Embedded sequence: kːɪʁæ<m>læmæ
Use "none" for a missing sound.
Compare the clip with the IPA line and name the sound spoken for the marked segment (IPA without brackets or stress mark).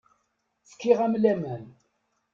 m